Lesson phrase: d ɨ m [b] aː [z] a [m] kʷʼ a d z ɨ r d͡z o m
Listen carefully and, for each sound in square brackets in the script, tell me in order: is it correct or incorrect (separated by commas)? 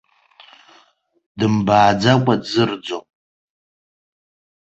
correct, incorrect, incorrect